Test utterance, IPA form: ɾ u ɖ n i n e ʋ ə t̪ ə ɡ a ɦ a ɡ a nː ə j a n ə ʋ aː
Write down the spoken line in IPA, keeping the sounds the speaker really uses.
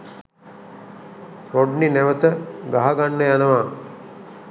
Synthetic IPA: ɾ o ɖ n i n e ʋ ə t̪ ə ɡ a ɦ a ɡ a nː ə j a n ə ʋ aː